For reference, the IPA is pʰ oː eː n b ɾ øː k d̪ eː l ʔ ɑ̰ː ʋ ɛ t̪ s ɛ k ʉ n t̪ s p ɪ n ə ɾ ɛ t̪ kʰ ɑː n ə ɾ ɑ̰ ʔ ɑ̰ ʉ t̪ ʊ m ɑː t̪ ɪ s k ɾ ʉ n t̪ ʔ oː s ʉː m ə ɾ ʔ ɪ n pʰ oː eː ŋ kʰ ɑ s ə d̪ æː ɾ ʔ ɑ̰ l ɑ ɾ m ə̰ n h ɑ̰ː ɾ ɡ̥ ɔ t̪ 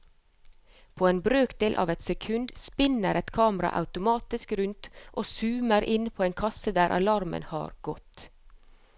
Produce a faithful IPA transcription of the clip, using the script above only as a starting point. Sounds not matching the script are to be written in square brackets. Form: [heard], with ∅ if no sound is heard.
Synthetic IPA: pʰ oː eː n b ɾ øː k d̪ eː l ʔ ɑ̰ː ʋ ɛ t̪ s ɛ [kʰ] ʉ n [d̪] s p ɪ n ə ɾ ɛ t̪ kʰ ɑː [m] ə ɾ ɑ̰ ʔ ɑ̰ ʉ t̪ ʊ m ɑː t̪ ɪ s k ɾ ʉ n t̪ ʔ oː s ʉː m ə ɾ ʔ ɪ n pʰ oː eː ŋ kʰ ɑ s ə d̪ æː ɾ ʔ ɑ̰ l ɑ ɾ m ə̰ n h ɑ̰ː ɾ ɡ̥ ɔ t̪